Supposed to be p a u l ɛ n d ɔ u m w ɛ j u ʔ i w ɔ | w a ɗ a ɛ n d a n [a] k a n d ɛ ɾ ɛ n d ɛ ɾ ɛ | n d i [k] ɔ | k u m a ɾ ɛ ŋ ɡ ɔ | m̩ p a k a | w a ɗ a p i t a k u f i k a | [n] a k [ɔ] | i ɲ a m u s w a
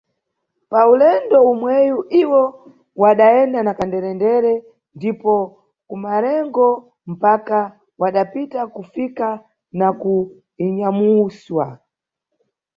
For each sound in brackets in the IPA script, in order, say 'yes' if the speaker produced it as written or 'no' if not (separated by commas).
yes, no, yes, no